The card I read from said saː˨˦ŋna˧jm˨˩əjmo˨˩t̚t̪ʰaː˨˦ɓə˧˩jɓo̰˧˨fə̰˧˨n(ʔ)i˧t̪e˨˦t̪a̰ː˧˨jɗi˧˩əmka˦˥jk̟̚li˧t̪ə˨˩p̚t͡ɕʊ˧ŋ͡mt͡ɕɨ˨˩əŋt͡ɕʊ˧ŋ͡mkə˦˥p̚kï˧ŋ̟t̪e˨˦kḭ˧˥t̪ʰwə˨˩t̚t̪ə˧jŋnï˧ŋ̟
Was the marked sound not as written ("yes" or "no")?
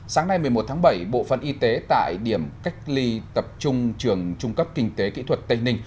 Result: no